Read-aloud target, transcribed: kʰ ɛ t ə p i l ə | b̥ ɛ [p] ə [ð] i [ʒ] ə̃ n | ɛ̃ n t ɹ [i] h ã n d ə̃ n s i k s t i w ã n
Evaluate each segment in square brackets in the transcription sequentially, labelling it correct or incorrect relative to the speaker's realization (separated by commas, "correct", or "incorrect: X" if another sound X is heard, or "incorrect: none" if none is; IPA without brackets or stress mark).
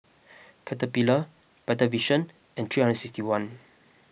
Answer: incorrect: t, incorrect: v, incorrect: ʃ, correct